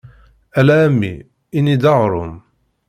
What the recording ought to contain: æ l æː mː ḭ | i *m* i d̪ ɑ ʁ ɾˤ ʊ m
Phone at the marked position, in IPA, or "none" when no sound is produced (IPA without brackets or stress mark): n